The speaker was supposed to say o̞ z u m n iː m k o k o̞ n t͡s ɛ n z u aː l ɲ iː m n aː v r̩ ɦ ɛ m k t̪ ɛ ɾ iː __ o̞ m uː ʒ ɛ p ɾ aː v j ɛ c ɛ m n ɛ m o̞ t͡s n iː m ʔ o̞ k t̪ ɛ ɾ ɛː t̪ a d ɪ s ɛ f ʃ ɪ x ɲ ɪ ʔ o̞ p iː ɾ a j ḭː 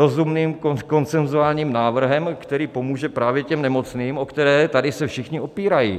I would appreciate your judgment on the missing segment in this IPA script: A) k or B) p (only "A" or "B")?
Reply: B